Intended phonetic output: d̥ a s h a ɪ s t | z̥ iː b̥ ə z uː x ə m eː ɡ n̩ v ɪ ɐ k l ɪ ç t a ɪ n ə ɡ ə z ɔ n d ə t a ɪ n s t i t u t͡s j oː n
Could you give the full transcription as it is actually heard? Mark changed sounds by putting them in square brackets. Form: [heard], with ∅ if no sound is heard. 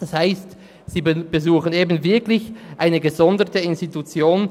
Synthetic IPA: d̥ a s h a ɪ s t | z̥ iː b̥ ə z uː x ə [n] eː [b] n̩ v ɪ ɐ k l ɪ ç [ʔ] a ɪ n ə ɡ ə z ɔ n d ə t [ə] ɪ n s t i t u t͡s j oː n